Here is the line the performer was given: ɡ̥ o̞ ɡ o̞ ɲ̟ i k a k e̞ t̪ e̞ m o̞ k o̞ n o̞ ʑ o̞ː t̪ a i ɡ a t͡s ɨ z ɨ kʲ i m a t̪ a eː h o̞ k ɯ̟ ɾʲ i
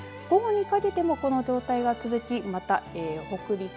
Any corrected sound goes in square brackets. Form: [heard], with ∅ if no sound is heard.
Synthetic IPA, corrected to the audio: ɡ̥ o̞ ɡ o̞ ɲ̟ i k a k e̞ t̪ e̞ m o̞ k o̞ n o̞ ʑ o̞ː t̪ a i ɡ a t͡s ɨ z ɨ kʲ i m a t̪ a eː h o̞ k ɯ̟ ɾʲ i